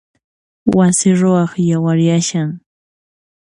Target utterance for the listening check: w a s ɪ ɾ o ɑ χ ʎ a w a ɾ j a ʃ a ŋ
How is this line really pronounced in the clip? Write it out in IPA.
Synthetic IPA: w a s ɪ ɾ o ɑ χ j a w a ɾ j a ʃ a ŋ

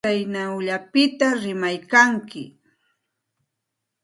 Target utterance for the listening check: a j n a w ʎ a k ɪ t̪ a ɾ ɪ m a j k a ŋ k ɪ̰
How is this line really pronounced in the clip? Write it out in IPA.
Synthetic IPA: a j n a w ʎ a p ɪ t̪ a ɾ ɪ m a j k a ŋ k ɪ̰

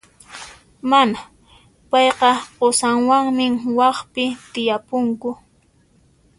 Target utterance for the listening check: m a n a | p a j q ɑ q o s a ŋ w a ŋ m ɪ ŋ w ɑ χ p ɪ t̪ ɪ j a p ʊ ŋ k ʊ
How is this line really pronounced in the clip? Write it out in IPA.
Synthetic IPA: m a n a | p ɑ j q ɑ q o s a ŋ w a ŋ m ɪ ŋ w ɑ χ p ɪ t̪ ɪ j a p ʊ ŋ k ʊ

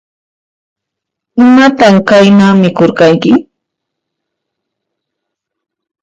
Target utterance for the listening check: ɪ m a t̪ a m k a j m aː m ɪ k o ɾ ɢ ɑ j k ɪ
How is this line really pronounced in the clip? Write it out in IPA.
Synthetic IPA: ɪ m a t̪ a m k a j n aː m ɪ k o ɾ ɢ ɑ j k ɪ

